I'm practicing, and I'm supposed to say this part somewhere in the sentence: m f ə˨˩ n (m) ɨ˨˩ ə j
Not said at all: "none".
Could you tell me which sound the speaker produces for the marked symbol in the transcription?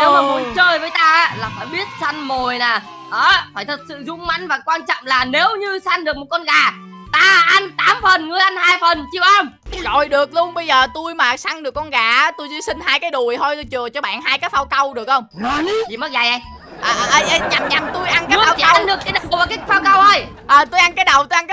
ŋ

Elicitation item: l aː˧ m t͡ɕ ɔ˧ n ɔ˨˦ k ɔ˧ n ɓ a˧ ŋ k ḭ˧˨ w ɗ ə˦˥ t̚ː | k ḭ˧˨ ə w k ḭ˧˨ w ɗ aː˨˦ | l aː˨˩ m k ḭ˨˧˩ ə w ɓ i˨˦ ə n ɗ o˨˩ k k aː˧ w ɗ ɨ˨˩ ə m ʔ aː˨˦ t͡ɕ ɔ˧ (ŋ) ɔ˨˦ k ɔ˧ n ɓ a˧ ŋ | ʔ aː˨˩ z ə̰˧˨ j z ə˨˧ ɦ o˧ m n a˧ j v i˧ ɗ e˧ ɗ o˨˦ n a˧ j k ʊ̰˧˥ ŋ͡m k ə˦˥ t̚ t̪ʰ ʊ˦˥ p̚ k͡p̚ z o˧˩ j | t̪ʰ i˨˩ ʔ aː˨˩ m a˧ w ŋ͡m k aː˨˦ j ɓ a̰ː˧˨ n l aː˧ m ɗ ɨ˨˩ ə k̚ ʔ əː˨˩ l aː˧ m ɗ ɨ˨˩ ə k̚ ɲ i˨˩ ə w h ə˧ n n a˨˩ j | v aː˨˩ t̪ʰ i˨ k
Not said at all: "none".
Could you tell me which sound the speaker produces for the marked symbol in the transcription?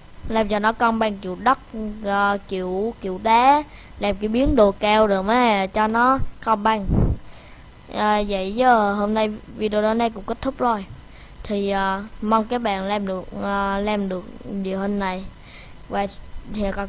n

